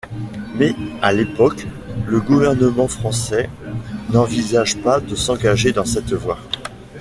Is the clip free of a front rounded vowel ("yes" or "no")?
yes